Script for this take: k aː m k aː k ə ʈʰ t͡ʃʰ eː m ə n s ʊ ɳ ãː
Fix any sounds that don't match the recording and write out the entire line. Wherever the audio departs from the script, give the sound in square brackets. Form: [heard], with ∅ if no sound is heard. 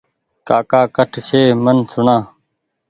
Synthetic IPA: k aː [∅] k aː k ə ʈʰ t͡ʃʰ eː m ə n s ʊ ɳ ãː